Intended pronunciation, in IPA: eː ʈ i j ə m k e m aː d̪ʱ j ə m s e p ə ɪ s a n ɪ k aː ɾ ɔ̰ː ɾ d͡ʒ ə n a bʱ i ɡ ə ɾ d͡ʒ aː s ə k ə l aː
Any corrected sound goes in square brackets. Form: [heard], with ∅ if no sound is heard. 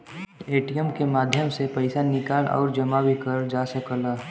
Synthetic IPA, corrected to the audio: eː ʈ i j ə m k e m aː d̪ʱ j ə m s e p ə ɪ s a n ɪ k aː [l] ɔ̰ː ɾ d͡ʒ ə [m] a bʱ i [k] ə ɾ d͡ʒ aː s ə k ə l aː